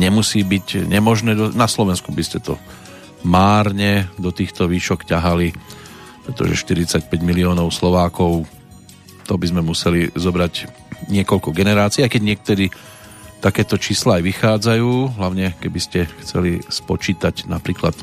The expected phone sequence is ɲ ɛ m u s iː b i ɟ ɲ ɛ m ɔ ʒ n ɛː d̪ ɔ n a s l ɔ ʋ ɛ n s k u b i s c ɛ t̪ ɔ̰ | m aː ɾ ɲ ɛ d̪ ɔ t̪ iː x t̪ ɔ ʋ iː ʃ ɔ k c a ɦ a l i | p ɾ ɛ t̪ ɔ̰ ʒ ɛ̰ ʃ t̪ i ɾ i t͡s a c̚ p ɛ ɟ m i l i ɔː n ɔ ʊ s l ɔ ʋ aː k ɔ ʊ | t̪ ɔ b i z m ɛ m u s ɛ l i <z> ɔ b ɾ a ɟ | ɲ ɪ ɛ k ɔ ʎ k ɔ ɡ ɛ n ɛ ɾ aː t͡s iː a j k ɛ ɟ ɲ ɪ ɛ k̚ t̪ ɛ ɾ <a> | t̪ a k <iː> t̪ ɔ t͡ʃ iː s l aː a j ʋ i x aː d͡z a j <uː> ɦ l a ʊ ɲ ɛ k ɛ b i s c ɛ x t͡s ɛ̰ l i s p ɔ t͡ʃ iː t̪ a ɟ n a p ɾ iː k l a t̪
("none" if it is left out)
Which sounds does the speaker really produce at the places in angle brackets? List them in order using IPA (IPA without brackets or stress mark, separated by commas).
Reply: z, i, ɛː, uː